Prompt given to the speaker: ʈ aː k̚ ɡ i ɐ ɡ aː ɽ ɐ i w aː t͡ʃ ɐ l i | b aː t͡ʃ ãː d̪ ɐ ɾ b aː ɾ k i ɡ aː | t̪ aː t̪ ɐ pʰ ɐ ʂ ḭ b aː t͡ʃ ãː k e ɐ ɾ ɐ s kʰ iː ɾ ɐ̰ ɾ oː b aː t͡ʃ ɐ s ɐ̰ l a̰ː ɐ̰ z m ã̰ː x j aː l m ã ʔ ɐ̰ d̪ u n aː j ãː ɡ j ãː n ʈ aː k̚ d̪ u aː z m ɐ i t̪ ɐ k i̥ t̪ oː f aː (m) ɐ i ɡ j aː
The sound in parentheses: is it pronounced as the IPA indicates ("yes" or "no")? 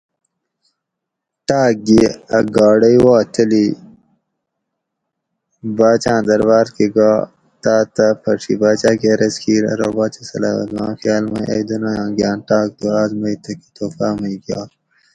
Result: yes